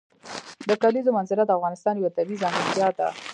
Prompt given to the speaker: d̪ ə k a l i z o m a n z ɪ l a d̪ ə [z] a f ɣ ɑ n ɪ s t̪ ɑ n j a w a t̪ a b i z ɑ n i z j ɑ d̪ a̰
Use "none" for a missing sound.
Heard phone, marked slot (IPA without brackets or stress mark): none